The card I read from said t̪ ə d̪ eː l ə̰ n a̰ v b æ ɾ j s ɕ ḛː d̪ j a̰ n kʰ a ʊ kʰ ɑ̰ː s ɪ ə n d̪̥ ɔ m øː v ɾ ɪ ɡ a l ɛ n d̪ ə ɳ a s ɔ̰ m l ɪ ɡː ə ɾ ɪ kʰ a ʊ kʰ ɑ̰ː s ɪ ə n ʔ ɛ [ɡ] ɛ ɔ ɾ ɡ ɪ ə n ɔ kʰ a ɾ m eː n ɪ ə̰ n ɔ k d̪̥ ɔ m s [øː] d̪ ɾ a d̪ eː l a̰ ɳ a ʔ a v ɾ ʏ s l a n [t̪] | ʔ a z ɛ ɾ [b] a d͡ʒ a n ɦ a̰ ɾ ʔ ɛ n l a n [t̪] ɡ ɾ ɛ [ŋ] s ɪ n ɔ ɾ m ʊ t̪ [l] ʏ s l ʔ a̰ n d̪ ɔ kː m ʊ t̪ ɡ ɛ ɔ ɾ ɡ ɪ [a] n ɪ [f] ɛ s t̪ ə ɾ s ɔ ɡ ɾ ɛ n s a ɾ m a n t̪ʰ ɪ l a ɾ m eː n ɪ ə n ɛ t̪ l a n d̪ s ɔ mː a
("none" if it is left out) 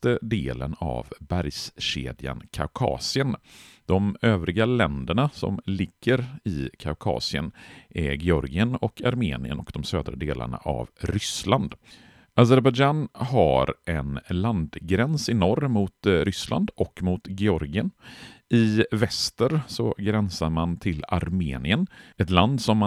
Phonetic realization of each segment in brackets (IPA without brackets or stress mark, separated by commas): ɡ, øː, d̪, b, d̪, n, ɾ, ə, v